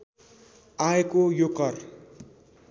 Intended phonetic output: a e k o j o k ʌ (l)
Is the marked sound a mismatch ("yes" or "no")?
yes